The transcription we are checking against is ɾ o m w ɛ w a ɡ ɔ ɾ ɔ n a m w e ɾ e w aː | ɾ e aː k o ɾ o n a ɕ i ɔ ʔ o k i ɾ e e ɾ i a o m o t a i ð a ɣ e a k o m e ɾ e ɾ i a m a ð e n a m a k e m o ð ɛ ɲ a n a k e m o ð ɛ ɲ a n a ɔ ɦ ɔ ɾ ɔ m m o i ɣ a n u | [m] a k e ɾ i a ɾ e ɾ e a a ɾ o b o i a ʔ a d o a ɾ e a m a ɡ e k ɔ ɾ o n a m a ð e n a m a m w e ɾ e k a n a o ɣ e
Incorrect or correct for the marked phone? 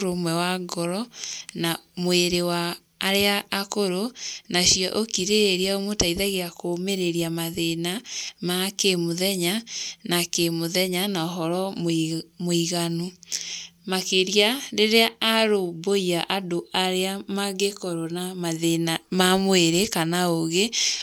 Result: correct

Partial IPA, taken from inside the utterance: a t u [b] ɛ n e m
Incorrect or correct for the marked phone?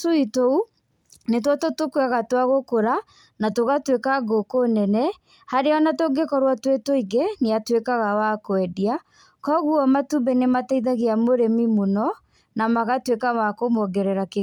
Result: correct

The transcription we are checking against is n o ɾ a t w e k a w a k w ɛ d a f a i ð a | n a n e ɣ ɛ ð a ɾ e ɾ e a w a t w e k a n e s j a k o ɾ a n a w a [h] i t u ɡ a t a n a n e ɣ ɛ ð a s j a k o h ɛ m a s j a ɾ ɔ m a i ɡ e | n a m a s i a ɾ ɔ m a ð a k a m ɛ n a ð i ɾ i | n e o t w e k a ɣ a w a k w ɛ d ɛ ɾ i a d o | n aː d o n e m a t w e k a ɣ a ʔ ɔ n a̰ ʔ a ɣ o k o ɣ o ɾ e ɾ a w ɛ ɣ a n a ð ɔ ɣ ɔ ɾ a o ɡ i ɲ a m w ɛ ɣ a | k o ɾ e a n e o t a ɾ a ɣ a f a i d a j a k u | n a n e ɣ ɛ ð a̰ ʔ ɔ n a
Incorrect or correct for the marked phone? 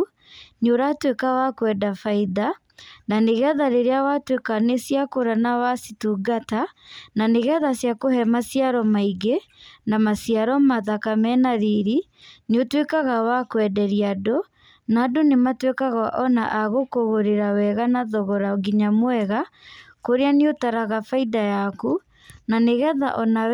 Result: incorrect: s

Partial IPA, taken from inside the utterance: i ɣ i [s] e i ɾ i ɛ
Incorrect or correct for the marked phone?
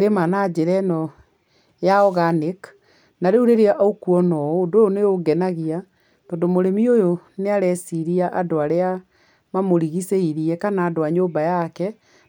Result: correct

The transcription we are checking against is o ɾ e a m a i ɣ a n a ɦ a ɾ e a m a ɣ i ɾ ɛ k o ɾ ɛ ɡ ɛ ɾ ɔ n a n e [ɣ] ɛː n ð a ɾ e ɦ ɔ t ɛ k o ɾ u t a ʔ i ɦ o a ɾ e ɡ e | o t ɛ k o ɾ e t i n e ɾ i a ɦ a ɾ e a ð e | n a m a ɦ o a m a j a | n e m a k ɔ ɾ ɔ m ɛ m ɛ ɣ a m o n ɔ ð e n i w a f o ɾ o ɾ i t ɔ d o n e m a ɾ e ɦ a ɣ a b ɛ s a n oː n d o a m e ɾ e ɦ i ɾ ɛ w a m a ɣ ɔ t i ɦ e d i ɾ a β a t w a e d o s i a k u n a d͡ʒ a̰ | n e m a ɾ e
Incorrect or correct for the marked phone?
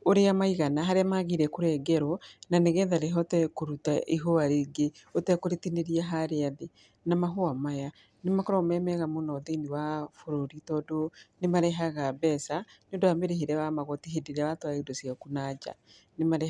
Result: correct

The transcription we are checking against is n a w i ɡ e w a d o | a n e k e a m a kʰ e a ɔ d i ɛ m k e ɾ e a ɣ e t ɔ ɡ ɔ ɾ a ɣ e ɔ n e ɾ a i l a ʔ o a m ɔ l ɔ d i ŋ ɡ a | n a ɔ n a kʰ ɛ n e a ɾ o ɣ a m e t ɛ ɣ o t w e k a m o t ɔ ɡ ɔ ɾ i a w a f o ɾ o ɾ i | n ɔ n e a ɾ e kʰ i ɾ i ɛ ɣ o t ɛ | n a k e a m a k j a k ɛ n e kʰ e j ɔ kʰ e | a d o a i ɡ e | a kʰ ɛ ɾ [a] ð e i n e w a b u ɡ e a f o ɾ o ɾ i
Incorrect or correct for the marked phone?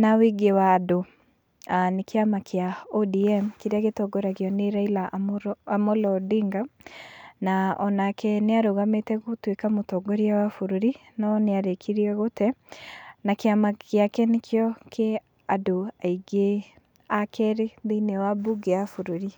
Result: incorrect: e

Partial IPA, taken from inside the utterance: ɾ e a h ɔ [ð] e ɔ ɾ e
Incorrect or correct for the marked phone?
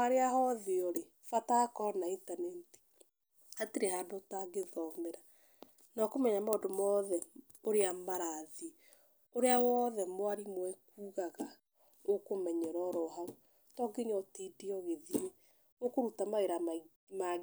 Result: correct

